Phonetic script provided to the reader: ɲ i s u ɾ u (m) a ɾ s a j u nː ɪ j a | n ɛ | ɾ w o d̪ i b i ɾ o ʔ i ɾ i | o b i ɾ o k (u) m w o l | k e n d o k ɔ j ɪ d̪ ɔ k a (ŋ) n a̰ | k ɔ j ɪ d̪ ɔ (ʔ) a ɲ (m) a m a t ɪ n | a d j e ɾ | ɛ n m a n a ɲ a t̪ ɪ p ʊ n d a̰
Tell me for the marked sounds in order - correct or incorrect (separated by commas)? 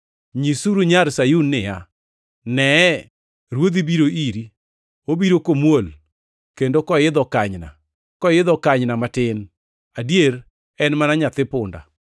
incorrect, incorrect, incorrect, incorrect, incorrect